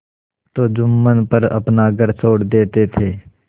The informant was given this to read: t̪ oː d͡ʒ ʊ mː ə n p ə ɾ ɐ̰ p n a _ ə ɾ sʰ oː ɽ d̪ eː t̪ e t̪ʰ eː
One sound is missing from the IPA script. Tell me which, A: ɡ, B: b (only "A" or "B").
A